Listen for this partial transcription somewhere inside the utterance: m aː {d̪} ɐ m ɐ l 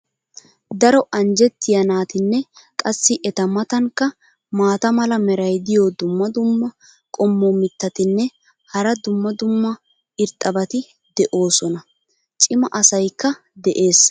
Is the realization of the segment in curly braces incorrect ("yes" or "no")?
yes